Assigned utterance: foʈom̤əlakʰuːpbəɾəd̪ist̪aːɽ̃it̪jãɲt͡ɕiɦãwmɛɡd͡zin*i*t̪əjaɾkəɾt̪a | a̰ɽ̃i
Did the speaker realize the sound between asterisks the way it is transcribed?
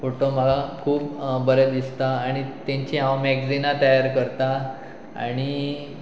no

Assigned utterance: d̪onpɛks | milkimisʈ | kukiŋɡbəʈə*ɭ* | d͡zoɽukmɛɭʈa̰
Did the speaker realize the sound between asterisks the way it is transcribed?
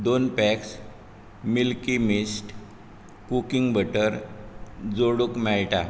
no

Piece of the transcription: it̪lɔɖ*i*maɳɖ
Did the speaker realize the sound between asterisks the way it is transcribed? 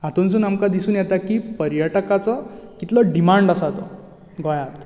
yes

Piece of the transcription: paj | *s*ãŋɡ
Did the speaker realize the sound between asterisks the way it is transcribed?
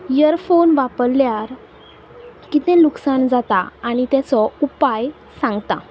yes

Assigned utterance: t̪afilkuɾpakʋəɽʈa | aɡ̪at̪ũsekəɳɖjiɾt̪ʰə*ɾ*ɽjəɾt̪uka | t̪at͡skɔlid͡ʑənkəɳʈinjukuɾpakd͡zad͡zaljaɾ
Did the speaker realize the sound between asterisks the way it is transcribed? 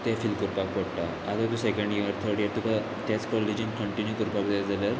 yes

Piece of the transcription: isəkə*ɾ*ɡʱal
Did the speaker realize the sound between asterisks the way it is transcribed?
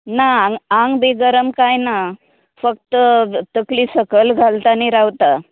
no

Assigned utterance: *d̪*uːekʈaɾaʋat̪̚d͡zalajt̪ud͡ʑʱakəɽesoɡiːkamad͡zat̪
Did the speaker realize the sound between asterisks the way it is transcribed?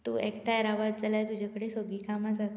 no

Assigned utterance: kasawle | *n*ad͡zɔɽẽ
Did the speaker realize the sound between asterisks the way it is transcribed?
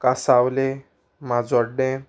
no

